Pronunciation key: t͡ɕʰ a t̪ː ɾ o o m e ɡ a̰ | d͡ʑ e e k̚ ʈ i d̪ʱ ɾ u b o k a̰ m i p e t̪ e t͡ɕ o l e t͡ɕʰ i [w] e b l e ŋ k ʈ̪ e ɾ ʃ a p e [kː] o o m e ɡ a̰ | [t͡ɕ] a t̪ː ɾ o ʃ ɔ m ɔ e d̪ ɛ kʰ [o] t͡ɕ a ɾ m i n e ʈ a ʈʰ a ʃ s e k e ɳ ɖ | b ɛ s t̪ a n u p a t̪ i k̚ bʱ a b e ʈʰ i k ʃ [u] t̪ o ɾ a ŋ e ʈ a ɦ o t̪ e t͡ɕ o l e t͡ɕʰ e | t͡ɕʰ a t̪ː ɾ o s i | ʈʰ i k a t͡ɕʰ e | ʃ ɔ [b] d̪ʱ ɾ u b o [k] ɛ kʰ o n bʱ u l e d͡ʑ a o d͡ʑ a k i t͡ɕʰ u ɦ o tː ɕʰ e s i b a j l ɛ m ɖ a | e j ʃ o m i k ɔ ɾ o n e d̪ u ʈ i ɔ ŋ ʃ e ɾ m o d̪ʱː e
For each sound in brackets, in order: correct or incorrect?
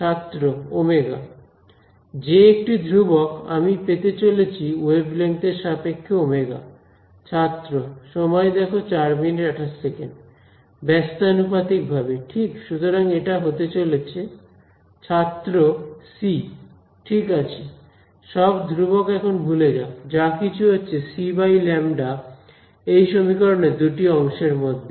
correct, incorrect, incorrect, correct, correct, correct, correct

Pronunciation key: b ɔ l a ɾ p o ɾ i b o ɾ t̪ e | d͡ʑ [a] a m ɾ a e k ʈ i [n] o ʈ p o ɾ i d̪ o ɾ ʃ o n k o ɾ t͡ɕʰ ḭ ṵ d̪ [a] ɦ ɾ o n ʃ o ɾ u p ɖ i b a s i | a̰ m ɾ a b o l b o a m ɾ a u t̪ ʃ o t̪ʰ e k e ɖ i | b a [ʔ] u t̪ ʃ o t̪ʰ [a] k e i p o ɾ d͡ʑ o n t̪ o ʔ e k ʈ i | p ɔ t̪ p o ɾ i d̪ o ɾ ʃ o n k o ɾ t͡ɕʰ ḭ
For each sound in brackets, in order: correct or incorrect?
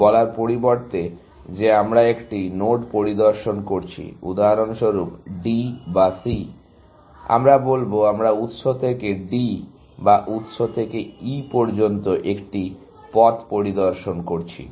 incorrect, correct, correct, correct, incorrect

